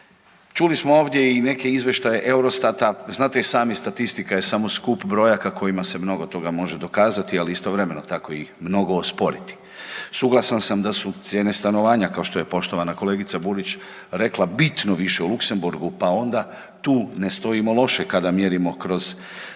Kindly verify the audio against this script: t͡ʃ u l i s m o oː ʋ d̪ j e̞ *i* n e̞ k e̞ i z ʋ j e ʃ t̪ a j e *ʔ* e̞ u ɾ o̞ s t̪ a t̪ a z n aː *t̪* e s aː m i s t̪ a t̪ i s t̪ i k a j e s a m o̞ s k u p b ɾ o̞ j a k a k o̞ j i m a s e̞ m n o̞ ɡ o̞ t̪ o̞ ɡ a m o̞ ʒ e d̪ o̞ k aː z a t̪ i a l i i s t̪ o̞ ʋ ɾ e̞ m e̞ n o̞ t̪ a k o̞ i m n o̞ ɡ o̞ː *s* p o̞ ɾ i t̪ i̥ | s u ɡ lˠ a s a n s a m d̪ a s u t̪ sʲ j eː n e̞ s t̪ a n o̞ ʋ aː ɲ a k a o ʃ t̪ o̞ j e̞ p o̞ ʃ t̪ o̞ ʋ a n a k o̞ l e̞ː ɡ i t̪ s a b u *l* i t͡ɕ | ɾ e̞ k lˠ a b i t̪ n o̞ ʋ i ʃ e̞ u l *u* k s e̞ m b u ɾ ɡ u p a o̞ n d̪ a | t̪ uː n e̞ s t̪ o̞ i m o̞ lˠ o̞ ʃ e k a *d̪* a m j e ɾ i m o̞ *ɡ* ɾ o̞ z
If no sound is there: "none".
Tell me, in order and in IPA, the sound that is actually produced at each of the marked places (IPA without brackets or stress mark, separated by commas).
i, ʔ, t̪, s, ɾ, u, d̪, k